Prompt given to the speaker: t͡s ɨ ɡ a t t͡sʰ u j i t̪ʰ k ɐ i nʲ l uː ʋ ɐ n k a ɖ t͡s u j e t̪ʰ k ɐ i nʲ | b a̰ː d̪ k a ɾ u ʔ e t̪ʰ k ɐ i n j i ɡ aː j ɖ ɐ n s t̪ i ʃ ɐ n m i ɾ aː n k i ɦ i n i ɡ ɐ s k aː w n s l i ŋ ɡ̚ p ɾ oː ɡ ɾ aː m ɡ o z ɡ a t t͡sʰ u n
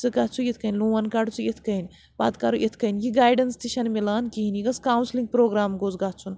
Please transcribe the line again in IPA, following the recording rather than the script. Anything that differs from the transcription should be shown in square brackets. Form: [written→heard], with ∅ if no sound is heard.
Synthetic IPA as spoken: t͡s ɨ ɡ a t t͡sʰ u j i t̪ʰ k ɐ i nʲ l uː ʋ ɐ n k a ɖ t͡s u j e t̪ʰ k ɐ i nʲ | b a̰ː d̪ k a ɾ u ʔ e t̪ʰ k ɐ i n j i ɡ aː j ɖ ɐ n s t̪ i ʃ ɐ n m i [ɾ→l] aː n k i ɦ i n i ɡ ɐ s k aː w n s l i ŋ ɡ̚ p ɾ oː ɡ ɾ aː m ɡ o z ɡ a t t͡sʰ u n